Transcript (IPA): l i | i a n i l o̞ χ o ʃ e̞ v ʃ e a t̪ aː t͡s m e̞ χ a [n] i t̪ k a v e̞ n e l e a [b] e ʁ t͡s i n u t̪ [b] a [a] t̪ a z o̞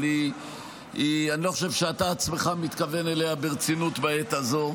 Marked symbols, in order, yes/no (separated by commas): no, yes, yes, no